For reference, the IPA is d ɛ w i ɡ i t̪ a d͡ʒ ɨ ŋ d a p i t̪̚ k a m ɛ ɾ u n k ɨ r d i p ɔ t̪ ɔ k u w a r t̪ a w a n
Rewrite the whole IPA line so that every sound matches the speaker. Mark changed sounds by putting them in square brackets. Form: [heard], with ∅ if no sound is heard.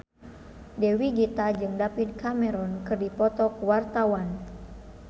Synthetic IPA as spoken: d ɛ w i ɡ i t̪ a d͡ʒ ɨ ŋ d a p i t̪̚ k a m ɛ ɾ [ɔ] n k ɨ r d i p ɔ t̪ ɔ k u w a r t̪ a w a n